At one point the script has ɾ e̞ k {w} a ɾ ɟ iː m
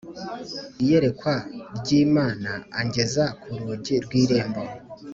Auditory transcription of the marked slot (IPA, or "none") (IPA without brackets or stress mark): w